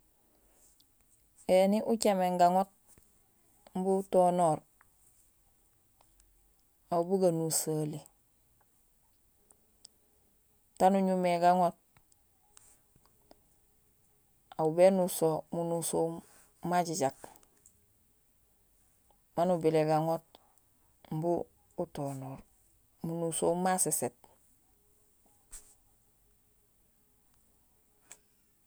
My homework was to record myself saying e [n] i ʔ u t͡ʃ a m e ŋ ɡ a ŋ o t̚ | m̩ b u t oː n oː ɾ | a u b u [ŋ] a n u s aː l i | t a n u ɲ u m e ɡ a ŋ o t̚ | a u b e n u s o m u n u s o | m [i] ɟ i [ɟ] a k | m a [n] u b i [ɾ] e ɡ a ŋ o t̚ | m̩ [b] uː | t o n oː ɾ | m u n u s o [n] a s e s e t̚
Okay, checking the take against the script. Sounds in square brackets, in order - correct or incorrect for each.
correct, incorrect, incorrect, correct, correct, incorrect, correct, incorrect

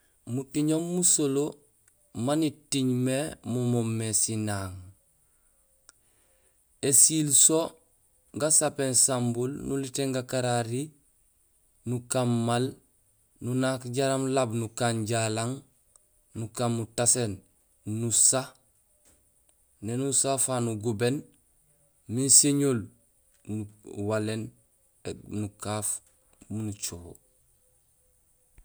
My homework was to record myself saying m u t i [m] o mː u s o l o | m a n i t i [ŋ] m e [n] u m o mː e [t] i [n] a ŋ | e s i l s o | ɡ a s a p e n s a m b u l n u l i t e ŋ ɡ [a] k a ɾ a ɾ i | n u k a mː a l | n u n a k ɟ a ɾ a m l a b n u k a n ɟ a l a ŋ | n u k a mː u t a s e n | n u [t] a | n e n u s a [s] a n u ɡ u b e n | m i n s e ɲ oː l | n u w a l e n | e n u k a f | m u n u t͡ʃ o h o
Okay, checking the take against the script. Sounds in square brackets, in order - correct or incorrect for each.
incorrect, incorrect, incorrect, incorrect, correct, correct, incorrect, incorrect

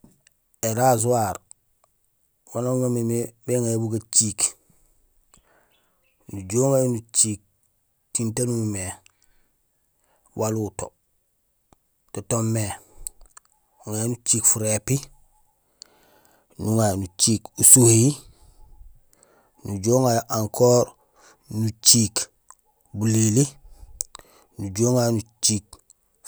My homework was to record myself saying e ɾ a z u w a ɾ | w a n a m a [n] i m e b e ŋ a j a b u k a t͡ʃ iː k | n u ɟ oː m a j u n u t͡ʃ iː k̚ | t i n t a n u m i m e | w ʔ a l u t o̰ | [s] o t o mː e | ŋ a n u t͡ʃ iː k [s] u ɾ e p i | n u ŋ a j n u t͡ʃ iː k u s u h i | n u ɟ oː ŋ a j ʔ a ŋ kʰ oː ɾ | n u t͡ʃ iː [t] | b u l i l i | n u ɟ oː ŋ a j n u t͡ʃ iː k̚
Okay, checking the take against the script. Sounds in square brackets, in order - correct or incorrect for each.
incorrect, incorrect, incorrect, incorrect

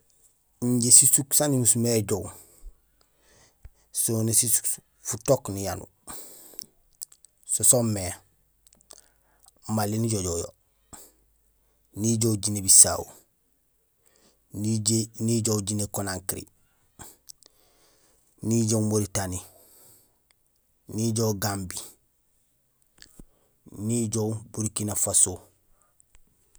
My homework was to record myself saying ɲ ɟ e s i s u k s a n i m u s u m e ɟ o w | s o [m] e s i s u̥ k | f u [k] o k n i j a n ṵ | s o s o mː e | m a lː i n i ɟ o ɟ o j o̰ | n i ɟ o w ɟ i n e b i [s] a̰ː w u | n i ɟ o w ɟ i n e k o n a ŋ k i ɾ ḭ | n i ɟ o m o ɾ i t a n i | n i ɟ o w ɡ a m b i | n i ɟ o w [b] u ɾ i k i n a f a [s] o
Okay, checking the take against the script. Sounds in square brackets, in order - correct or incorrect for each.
incorrect, incorrect, correct, correct, correct

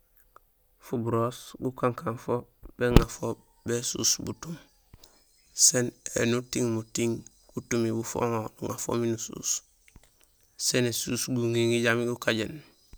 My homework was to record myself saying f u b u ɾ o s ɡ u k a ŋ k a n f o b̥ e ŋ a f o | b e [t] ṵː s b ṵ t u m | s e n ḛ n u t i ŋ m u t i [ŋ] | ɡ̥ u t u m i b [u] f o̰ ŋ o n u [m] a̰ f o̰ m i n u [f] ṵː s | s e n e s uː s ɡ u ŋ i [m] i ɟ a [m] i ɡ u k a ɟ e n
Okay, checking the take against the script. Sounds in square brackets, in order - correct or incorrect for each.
incorrect, correct, correct, incorrect, incorrect, incorrect, correct

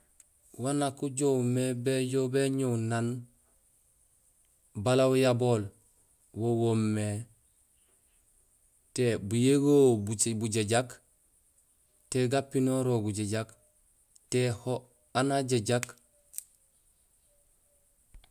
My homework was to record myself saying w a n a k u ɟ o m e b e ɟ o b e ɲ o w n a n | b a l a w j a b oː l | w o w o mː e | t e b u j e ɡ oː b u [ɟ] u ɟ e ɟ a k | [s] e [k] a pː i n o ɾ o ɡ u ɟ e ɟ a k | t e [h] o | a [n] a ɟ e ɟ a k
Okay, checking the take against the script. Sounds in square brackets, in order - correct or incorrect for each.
incorrect, incorrect, incorrect, correct, correct

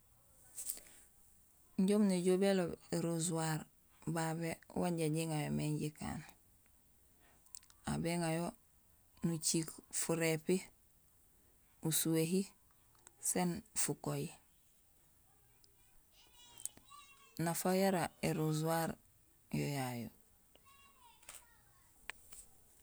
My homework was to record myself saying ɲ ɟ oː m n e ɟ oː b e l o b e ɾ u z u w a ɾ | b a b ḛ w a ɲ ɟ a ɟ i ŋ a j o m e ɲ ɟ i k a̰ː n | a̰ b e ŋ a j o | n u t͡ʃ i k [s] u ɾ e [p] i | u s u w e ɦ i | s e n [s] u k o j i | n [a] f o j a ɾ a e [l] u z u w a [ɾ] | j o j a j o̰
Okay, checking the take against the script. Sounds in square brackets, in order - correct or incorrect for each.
incorrect, correct, incorrect, correct, incorrect, correct

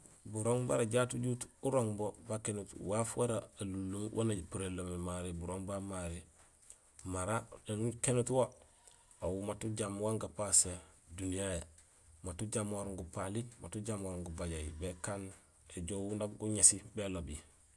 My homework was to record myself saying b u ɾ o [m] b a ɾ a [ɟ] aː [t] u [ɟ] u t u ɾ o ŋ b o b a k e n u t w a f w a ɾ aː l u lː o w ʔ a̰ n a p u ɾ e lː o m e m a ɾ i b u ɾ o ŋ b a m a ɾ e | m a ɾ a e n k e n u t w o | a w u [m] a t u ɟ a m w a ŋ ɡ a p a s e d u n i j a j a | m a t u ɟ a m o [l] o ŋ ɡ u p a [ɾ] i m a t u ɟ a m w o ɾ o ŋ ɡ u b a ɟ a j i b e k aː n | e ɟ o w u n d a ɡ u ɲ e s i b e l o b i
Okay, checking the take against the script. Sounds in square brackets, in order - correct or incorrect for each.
incorrect, correct, correct, correct, correct, incorrect, incorrect

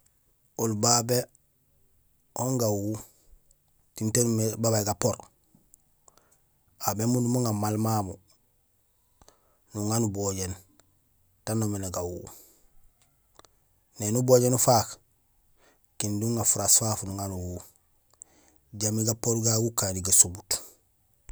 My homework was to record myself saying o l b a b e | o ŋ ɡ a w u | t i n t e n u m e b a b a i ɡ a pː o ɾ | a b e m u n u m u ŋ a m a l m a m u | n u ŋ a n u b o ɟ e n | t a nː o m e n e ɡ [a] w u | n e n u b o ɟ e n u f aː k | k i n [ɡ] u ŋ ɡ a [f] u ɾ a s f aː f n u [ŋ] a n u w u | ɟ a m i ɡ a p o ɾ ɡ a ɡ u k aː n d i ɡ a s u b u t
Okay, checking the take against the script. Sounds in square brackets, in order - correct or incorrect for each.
correct, incorrect, correct, correct

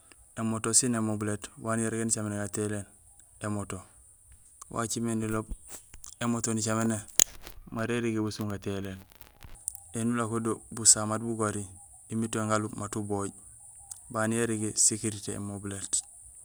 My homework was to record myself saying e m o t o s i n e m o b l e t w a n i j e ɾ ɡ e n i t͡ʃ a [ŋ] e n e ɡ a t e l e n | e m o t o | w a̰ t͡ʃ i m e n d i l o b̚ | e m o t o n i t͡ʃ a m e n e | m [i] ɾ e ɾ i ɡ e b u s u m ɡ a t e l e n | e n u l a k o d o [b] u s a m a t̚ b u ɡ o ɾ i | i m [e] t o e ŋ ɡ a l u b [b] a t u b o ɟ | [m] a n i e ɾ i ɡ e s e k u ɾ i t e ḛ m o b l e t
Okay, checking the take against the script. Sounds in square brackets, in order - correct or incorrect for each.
incorrect, incorrect, correct, incorrect, incorrect, incorrect

